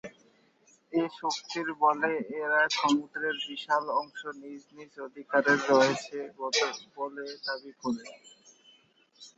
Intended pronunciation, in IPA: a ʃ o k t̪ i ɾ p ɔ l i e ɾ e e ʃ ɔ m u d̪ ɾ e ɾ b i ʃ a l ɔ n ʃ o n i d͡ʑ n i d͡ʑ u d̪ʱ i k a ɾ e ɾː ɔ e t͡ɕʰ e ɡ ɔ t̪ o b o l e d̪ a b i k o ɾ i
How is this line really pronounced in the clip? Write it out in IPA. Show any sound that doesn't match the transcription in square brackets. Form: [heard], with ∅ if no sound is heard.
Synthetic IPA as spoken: [e] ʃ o k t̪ i ɾ [b] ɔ l [e] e ɾ [a] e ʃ ɔ m u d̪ ɾ e ɾ b i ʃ a l ɔ [ŋ] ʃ o n i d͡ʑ n i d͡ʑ [o] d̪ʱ i k a ɾ e ɾː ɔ e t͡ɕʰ e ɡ ɔ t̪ o b o l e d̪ a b i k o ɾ [e]